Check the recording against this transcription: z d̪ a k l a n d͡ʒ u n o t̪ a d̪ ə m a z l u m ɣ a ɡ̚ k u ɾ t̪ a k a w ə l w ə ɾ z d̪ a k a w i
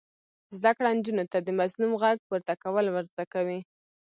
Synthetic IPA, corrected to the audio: z d̪ a k ɽ a n d͡ʒ u n o t̪ a d̪ ə m a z l u m ɣ a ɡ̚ p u ɾ t̪ a k a w ə l w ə ɾ z d̪ a k a w i

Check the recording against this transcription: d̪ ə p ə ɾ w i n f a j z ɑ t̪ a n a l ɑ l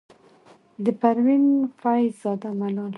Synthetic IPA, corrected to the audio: d̪ ə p a ɾ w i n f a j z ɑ d̪ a m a l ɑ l

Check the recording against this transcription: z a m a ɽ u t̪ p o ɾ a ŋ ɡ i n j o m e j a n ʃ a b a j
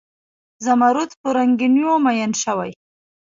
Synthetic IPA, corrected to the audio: z a m a ɾ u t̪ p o ɾ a ŋ ɡ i n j o m a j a n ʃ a w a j

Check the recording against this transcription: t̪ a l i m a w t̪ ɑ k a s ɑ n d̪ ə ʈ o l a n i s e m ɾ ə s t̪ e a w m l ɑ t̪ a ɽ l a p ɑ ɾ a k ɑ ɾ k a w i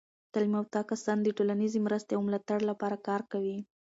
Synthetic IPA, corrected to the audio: t̪ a l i m a w t̪ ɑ k a s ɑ n d̪ ə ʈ o l a n i z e m ɾ ə s t̪ e a w m l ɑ t̪ a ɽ l a p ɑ ɾ a k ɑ ɾ k a w i

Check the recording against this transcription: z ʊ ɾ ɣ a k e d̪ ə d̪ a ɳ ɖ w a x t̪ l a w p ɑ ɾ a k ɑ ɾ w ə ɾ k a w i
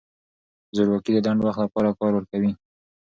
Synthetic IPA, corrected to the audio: z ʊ ɾ w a k i d̪ ə d̪ a ɳ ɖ w a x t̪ l a p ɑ ɾ a k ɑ ɾ w ə ɾ k a w i

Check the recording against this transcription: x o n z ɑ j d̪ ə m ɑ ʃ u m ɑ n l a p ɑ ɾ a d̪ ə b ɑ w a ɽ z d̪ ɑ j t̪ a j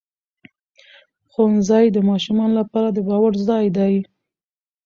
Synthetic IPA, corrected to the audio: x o n z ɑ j d̪ ə m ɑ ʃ u m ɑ n l a p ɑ ɾ a d̪ ə b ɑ w a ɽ z d̪ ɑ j d̪ a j

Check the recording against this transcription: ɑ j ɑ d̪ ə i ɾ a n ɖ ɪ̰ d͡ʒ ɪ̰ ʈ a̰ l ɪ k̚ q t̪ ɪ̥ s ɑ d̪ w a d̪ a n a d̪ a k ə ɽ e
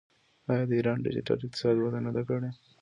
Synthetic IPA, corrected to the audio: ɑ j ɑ d̪ ə i ɾ ɑ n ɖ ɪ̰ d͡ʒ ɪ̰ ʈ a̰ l ɪ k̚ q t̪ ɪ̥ s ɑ d̪ w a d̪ a n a d̪ a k ə ɽ e

